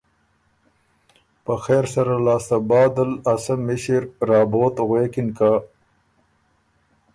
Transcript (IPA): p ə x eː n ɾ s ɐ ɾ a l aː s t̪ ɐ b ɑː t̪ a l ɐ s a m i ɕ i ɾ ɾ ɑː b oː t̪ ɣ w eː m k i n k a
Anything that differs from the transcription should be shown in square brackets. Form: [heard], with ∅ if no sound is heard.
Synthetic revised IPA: p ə x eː [∅] ɾ s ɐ ɾ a l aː s t̪ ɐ b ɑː [d̪] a l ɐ s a m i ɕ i ɾ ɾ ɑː b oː t̪ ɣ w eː [∅] k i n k a